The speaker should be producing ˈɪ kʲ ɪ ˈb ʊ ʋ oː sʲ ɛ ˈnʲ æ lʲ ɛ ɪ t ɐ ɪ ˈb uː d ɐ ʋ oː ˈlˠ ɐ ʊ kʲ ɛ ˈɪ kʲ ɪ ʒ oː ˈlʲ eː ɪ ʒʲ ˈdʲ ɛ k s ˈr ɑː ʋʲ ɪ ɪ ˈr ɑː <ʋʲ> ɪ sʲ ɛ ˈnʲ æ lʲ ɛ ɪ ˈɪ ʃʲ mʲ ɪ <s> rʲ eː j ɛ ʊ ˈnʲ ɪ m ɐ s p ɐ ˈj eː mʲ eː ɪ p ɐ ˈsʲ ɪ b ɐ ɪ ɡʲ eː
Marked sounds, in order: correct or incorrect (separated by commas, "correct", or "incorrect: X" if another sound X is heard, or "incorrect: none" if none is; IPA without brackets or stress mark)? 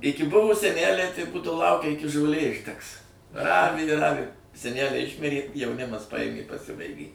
correct, incorrect: none